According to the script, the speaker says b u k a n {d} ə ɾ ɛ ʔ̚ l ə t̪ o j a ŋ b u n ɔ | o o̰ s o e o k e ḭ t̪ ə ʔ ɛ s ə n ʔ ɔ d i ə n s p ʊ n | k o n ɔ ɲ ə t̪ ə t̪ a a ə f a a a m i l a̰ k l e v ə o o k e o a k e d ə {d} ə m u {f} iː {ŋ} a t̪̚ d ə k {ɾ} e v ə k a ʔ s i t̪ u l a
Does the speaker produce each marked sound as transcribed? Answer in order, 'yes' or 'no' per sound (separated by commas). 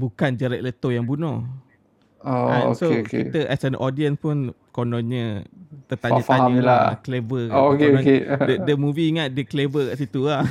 no, yes, no, yes, no